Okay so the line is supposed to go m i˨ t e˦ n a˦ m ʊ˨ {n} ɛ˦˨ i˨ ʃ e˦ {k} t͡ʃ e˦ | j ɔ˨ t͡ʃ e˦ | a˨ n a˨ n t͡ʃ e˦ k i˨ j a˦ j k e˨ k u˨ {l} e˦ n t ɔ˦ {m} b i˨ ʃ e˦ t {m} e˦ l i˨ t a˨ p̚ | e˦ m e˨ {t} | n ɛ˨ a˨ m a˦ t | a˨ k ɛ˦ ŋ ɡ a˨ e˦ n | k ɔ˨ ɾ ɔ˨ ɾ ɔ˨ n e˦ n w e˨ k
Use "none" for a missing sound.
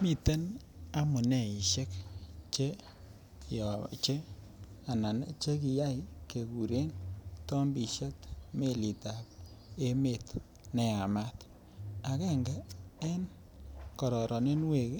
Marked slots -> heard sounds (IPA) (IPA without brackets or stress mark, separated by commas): n, k, ɾ, m, m, t